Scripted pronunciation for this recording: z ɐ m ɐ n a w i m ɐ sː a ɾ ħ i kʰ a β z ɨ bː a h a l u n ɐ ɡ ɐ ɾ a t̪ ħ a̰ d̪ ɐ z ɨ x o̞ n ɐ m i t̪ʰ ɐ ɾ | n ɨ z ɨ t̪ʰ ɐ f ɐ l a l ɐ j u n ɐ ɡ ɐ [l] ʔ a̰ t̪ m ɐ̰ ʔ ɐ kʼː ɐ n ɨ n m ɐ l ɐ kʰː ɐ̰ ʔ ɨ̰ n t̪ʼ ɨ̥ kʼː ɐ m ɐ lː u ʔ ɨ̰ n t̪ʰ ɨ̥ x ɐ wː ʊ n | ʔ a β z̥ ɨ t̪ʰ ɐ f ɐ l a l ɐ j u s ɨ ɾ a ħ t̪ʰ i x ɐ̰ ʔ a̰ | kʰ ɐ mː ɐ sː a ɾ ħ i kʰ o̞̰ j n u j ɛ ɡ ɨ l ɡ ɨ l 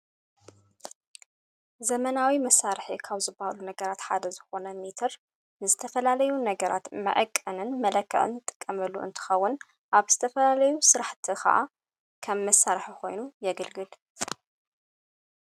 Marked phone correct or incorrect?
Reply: incorrect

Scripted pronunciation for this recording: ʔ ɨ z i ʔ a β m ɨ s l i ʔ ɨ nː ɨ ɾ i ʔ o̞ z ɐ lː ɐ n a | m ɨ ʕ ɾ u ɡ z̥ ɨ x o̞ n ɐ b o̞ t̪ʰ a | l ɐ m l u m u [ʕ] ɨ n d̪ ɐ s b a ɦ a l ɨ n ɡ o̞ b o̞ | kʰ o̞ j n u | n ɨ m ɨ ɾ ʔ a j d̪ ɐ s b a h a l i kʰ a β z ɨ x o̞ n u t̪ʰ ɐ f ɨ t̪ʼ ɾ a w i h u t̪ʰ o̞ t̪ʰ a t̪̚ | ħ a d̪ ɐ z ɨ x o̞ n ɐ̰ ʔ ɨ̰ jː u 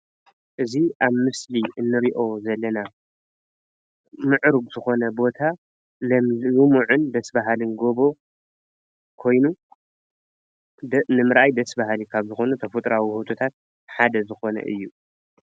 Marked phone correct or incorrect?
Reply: correct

